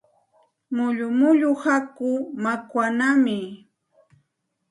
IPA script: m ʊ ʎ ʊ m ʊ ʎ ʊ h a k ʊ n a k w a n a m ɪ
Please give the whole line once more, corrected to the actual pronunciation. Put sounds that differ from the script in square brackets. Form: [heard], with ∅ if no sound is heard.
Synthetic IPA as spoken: m ʊ ʎ ʊ m ʊ ʎ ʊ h a k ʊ [m] a k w a n a m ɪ